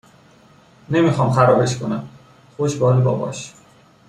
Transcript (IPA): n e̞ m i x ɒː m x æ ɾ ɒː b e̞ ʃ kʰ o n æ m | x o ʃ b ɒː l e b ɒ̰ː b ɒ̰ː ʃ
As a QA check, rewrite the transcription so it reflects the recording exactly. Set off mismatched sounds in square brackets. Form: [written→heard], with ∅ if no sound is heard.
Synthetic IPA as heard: n e̞ m i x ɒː m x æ ɾ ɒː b e̞ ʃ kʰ o n æ m | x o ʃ b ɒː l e b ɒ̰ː b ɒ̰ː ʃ

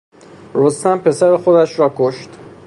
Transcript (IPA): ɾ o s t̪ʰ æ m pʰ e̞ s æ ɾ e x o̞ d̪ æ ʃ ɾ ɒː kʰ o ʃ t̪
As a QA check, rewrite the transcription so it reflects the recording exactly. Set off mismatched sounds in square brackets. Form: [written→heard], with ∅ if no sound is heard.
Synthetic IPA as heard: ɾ o s [t̪ʰ→t̪] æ m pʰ e̞ s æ ɾ e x o̞ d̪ æ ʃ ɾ ɒː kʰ o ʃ t̪

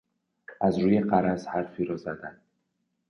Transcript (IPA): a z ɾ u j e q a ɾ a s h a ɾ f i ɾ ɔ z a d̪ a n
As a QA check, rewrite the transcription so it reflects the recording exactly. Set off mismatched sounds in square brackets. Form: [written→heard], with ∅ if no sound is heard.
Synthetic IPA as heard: a z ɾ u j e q a ɾ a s h a ɾ f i ɾ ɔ z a d̪ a n

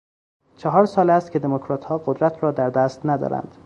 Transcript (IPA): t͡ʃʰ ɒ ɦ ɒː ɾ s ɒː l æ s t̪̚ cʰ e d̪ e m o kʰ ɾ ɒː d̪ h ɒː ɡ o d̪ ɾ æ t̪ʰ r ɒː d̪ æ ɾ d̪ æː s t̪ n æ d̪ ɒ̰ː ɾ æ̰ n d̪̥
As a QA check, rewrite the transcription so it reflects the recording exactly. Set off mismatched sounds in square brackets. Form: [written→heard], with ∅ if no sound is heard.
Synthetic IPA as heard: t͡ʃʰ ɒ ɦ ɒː ɾ s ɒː l æ s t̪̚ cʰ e d̪ e m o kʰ ɾ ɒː [d̪→t̪] h ɒː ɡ o d̪ ɾ æ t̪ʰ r ɒː d̪ æ ɾ d̪ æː s t̪ n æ d̪ ɒ̰ː ɾ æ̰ n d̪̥

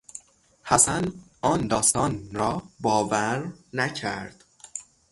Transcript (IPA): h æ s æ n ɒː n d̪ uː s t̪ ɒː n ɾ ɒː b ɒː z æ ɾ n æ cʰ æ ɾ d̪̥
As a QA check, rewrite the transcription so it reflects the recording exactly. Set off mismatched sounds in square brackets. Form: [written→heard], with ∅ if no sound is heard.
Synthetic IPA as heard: h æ s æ n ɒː n d̪ [uː→ɒː] s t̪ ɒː n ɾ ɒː b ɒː [z→v] æ ɾ n æ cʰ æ ɾ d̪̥

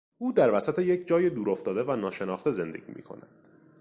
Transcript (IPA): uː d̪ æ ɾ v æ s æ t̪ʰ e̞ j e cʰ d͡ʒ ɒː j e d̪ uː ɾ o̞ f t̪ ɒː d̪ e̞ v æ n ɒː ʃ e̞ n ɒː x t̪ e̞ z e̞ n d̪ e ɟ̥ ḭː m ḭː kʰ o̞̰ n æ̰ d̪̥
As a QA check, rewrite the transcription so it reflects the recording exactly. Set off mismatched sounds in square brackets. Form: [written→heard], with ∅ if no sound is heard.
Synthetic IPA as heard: uː d̪ æ ɾ v æ s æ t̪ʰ e̞ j e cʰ d͡ʒ ɒː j e d̪ uː ɾ o̞ f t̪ ɒː d̪ e̞ v æ n ɒː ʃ e̞ n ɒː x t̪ e̞ z e̞ n d̪ e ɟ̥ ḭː m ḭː kʰ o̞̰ n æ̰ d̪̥

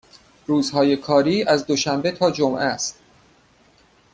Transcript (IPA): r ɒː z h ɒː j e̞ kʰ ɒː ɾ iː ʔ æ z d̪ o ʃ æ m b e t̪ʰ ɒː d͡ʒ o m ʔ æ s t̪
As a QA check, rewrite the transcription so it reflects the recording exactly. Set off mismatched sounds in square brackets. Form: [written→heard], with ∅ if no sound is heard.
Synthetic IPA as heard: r [ɒː→uː] z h ɒː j e̞ kʰ ɒː ɾ iː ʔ æ z d̪ o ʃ æ m b e t̪ʰ ɒː d͡ʒ o m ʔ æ s t̪

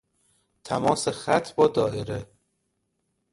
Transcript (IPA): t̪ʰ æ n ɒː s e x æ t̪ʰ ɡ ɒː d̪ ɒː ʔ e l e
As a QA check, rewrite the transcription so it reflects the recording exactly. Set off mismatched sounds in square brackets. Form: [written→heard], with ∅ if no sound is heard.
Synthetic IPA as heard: t̪ʰ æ [n→m] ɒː s e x æ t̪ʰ [ɡ→b] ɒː d̪ ɒː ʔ e [l→ɾ] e

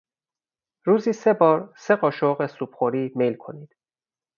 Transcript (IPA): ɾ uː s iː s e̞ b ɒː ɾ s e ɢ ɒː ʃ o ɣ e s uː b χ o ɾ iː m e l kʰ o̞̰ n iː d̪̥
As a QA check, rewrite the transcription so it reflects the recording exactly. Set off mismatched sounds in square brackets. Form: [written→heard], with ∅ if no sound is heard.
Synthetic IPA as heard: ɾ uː [s→z] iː s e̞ b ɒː ɾ s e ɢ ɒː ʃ o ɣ e s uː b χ o ɾ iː m e l kʰ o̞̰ n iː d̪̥

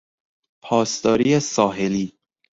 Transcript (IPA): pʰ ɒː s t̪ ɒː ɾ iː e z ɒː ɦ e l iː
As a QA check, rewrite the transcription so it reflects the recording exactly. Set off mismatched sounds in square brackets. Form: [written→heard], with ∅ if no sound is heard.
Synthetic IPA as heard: pʰ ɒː s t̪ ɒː ɾ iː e [z→s] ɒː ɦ e l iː

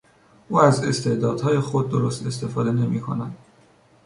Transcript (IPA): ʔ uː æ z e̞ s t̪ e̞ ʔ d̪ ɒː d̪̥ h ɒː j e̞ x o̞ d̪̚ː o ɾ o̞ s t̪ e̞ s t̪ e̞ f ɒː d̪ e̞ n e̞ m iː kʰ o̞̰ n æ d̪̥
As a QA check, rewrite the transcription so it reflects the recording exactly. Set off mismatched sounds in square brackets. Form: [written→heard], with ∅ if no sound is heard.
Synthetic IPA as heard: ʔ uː æ z e̞ s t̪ e̞ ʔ d̪ ɒː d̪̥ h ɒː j e̞ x o̞ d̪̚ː o ɾ o̞ s t̪ e̞ s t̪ e̞ f ɒː d̪ e̞ n e̞ m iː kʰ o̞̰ n æ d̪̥

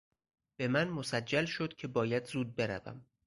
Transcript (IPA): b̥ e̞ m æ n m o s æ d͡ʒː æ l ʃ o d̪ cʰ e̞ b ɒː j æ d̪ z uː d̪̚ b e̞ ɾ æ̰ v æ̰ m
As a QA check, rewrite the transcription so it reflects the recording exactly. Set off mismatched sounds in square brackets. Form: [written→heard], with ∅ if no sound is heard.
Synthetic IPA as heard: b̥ e̞ m æ n m o s æ d͡ʒː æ l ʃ o d̪ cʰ e̞ b ɒː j æ d̪ z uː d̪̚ b e̞ ɾ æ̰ v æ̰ m

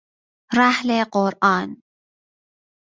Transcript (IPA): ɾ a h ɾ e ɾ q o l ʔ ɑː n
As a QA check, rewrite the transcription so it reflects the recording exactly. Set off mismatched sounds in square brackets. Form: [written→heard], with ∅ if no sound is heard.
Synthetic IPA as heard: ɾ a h [ɾ→l] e [ɾ→∅] q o [l→ɾ] ʔ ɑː n

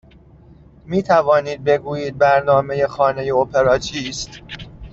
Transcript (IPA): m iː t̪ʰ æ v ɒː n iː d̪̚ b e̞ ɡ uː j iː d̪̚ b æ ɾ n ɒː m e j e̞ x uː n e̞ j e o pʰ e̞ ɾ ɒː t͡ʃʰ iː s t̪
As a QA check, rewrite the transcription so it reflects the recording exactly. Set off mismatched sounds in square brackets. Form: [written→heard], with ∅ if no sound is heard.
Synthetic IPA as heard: m iː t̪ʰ æ v ɒː n iː d̪̚ b e̞ ɡ uː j iː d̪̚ b æ ɾ n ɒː m e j e̞ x [uː→ɒː] n e̞ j e o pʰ e̞ ɾ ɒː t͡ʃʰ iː s t̪

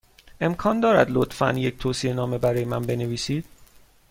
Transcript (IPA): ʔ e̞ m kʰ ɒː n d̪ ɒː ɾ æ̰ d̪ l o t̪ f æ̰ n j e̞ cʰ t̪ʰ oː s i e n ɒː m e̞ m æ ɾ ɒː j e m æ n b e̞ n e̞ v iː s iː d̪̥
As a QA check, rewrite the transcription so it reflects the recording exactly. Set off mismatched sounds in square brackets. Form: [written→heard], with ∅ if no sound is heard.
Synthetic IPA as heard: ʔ e̞ m kʰ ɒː n d̪ ɒː ɾ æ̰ d̪ l o t̪ f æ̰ n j e̞ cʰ t̪ʰ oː s i e n ɒː m e̞ [m→b] æ ɾ ɒː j e m æ n b e̞ n e̞ v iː s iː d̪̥

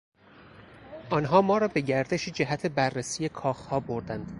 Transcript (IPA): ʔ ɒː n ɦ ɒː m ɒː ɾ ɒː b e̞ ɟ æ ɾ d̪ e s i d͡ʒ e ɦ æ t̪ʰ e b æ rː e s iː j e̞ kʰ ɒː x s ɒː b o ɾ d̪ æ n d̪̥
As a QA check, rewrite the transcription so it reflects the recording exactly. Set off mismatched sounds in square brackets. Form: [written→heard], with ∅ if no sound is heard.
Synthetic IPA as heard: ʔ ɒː n ɦ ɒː m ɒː ɾ ɒː b e̞ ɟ æ ɾ d̪ e [s→ʃ] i d͡ʒ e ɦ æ t̪ʰ e b æ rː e s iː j e̞ kʰ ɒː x [s→h] ɒː b o ɾ d̪ æ n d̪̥

